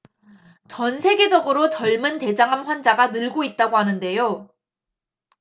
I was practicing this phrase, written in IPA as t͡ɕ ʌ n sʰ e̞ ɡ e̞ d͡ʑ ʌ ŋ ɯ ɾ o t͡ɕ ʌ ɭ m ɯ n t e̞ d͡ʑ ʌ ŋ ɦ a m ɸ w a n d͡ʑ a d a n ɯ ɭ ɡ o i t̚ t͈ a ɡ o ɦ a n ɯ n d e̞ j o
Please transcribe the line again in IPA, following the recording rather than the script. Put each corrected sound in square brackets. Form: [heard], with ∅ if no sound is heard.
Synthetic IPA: t͡ɕ ʌ n sʰ e̞ ɡ e̞ d͡ʑ ʌ [ɡ] ɯ ɾ o t͡ɕ ʌ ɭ m ɯ n t e̞ d͡ʑ [a] ŋ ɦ a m ɸ w a n d͡ʑ a [ɡ] a n ɯ ɭ ɡ o i t̚ t͈ a ɡ o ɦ a n ɯ n d e̞ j o